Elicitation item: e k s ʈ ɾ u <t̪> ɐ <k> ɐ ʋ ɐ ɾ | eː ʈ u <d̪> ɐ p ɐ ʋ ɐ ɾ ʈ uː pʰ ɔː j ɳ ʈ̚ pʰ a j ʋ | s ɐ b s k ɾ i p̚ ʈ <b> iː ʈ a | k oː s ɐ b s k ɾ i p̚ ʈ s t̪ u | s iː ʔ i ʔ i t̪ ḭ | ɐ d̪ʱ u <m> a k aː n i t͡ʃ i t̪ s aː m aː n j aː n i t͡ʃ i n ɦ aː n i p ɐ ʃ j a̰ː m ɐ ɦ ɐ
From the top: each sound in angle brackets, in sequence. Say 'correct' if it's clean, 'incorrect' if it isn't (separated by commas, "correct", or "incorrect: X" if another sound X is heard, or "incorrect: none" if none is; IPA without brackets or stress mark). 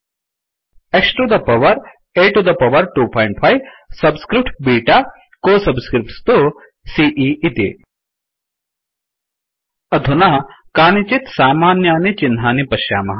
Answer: incorrect: d̪, incorrect: p, correct, correct, incorrect: n